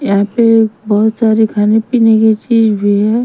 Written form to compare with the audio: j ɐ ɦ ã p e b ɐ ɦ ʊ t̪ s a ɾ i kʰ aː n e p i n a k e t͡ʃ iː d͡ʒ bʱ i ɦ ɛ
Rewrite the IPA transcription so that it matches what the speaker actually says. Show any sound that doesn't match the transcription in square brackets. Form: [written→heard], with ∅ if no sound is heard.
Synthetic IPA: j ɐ ɦ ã p e b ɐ ɦ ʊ t̪ s a ɾ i kʰ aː n e p i n [a→e] k e t͡ʃ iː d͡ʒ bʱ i ɦ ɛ

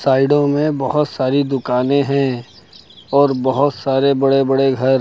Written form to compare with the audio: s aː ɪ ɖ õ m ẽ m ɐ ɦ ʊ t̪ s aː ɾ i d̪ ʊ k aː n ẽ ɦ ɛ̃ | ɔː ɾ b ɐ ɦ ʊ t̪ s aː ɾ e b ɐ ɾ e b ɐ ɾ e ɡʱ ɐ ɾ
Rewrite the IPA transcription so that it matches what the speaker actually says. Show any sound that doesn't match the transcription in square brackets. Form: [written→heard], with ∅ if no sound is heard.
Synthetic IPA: s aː ɪ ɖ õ m ẽ [m→b] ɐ ɦ ʊ t̪ s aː ɾ i d̪ ʊ k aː n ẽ ɦ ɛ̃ | ɔː ɾ b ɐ ɦ ʊ t̪ s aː ɾ e b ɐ [ɾ→ɽ] e b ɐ [ɾ→ɽ] e ɡʱ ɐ ɾ

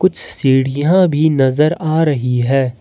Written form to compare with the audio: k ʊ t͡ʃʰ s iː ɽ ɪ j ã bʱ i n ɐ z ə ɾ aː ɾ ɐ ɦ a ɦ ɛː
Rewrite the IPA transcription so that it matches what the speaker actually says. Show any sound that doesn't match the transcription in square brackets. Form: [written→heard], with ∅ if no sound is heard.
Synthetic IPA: k ʊ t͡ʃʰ s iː ɽ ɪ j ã bʱ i n ɐ z ə ɾ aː ɾ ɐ ɦ [a→i] ɦ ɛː

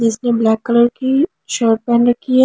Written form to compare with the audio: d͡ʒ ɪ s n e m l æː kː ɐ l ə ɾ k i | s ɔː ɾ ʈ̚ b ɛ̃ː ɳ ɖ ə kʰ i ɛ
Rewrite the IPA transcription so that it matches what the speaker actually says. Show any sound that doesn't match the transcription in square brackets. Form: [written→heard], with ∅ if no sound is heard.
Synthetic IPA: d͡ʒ ɪ s n e [m→b] l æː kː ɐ l ə ɾ k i | [s→ʃ] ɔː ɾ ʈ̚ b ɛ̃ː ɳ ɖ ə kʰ i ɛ

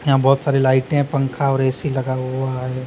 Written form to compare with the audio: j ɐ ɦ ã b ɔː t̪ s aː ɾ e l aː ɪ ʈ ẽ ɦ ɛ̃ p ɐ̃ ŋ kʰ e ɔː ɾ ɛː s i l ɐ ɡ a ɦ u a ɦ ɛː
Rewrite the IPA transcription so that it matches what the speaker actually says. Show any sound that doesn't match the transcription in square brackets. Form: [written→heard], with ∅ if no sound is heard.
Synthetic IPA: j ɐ ɦ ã b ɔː t̪ s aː ɾ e l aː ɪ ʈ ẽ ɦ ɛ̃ p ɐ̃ ŋ kʰ [e→a] ɔː ɾ ɛː s i l ɐ ɡ a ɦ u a ɦ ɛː

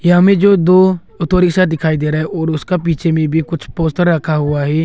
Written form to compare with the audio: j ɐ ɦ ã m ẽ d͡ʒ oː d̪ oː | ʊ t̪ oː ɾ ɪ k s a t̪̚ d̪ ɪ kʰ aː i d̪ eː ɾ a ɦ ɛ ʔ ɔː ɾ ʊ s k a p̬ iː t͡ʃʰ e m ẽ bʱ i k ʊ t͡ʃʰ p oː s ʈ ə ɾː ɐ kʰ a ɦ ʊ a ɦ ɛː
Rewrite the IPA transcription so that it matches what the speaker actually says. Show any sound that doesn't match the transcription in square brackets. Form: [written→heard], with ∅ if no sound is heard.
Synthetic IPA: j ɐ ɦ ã m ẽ d͡ʒ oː d̪ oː | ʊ t̪ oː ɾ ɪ k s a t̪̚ d̪ ɪ kʰ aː i d̪ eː ɾ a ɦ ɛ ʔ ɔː ɾ ʊ s k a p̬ iː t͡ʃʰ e m ẽ bʱ i k ʊ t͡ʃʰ p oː s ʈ ə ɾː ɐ kʰ a ɦ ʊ a ɦ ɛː

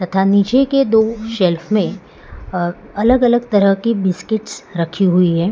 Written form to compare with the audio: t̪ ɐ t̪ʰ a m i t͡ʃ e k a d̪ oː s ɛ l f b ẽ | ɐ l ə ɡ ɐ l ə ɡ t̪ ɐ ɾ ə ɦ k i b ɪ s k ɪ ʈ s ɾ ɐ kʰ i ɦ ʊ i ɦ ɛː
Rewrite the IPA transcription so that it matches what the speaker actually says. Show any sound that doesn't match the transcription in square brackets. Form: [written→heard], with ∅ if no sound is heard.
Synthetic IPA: t̪ ɐ t̪ʰ a [m→n] i t͡ʃ e k [a→e] d̪ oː [s→ʃ] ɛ l f [b→m] ẽ | ɐ l ə ɡ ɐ l ə ɡ t̪ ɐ ɾ ə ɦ k i b ɪ s k ɪ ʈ s ɾ ɐ kʰ i ɦ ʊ i ɦ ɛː

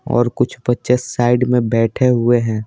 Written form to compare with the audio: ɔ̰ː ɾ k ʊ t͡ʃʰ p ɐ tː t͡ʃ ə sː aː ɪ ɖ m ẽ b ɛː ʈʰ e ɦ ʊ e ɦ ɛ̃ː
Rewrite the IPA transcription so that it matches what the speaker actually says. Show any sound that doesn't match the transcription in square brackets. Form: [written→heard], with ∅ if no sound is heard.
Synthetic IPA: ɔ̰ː ɾ k ʊ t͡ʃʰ p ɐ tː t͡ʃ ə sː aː ɪ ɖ m ẽ b ɛː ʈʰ e ɦ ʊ e ɦ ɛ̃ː

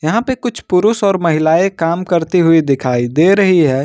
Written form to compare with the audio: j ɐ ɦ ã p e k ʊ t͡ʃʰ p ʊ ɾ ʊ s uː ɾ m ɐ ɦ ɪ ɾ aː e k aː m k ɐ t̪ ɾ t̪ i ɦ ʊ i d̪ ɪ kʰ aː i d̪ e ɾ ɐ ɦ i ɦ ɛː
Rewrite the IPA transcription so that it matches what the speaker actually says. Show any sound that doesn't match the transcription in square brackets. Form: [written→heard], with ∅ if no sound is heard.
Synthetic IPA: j ɐ ɦ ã p e k ʊ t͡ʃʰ p ʊ ɾ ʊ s [uː→ɔː] ɾ m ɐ ɦ ɪ [ɾ→l] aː e k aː m k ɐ [t̪→∅] ɾ t̪ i ɦ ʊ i d̪ ɪ kʰ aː i d̪ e ɾ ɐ ɦ i ɦ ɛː

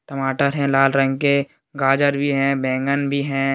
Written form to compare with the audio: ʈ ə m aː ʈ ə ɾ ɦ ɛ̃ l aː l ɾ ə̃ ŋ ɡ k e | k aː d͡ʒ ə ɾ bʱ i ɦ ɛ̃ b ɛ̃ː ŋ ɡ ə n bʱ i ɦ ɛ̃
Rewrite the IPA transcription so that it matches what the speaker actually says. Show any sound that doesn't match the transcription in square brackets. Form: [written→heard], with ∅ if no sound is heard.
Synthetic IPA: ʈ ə m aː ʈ ə ɾ ɦ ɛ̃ l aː l ɾ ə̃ ŋ ɡ k e | [k→ɡ] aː d͡ʒ ə ɾ bʱ i ɦ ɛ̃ b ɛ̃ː ŋ ɡ ə n bʱ i ɦ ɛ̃

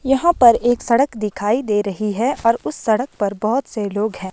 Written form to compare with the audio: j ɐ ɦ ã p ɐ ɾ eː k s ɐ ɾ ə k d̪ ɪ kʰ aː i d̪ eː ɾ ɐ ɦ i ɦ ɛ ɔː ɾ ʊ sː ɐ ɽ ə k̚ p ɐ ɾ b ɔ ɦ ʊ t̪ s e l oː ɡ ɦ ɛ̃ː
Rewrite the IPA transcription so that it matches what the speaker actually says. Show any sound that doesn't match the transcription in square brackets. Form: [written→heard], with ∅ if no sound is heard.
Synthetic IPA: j ɐ ɦ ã p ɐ ɾ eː k s ɐ [ɾ→ɽ] ə k d̪ ɪ kʰ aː i d̪ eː ɾ ɐ ɦ i ɦ ɛ ɔː ɾ ʊ sː ɐ ɽ ə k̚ p ɐ ɾ b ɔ ɦ ʊ t̪ s e l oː ɡ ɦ ɛ̃ː

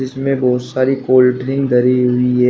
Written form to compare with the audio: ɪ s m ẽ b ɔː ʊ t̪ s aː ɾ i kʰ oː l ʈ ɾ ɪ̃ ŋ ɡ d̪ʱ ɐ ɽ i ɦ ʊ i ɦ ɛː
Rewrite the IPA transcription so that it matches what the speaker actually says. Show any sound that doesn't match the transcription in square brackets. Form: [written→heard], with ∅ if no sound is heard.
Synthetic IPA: ɪ s m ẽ b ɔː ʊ t̪ s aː ɾ i [kʰ→k] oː l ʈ ɾ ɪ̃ ŋ ɡ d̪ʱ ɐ [ɽ→ɾ] i ɦ ʊ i ɦ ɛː

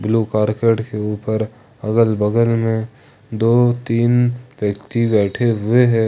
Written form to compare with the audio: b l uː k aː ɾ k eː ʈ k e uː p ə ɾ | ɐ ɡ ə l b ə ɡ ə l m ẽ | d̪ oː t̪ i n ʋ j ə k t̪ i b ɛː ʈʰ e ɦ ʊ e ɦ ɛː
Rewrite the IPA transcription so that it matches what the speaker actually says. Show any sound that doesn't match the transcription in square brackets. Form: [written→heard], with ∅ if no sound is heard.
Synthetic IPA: b l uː k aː ɾ k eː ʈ k e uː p ə ɾ | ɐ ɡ ə l b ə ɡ ə l m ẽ | d̪ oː t̪ [i→iː] n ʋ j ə k t̪ i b ɛː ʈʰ e ɦ ʊ e ɦ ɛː

